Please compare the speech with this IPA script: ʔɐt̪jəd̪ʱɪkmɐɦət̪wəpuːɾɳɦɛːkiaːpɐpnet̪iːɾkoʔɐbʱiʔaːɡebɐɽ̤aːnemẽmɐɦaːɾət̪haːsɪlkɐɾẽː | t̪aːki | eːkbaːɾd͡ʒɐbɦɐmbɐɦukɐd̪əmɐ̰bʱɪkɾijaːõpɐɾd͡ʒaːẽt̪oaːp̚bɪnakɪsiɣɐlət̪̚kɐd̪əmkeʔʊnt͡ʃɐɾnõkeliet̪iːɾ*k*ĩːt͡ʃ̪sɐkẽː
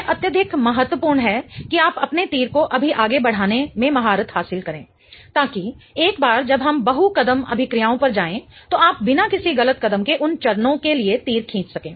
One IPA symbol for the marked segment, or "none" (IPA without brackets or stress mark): kʰ